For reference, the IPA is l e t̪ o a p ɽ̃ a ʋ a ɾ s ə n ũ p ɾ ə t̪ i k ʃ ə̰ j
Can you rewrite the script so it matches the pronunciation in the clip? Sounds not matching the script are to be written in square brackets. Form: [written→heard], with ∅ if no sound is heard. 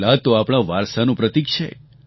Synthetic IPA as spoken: l [e→a] t̪ o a p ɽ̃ a ʋ a ɾ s [ə→a] n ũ p ɾ ə t̪ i k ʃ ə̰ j